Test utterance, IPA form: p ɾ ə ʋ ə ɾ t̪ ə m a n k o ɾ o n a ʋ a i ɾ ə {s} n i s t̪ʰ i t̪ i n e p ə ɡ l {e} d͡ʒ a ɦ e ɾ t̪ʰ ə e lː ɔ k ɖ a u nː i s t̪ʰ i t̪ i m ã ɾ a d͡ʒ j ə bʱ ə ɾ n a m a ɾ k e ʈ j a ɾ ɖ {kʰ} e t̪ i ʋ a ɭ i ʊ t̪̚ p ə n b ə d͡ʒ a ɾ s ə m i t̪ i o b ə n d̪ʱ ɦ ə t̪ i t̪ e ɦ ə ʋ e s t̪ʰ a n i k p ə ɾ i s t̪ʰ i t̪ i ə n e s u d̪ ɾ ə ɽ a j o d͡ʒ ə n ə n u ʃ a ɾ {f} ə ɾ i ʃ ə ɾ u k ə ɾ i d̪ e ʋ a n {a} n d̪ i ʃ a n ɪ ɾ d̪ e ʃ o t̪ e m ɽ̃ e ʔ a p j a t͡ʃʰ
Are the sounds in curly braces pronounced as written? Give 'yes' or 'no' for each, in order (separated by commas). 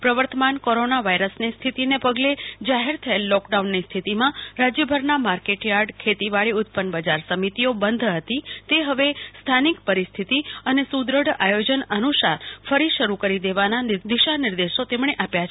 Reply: yes, yes, yes, yes, yes